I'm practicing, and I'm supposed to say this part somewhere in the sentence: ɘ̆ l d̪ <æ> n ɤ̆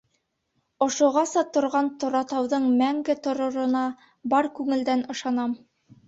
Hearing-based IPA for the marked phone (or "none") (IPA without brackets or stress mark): æ